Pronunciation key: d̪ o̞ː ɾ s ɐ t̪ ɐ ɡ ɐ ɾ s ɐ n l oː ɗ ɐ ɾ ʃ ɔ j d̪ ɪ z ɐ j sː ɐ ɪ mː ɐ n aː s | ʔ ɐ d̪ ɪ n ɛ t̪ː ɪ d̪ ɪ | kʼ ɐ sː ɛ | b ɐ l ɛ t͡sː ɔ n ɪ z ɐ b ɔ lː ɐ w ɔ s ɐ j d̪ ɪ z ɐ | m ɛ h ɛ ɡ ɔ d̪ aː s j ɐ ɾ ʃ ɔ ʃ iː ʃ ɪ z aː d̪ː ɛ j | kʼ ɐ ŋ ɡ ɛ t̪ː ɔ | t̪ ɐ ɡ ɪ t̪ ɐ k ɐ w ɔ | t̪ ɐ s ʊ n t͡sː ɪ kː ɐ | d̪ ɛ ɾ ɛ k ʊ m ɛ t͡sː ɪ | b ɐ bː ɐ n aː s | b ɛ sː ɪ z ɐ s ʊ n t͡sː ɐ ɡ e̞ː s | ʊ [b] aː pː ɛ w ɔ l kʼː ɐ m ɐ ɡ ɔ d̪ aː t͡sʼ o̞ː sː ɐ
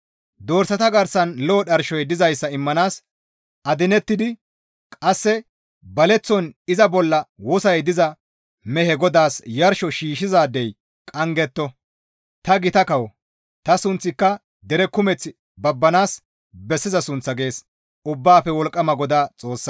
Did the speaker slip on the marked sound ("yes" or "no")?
yes